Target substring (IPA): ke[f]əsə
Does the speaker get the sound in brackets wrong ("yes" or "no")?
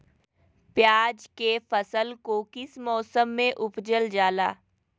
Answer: no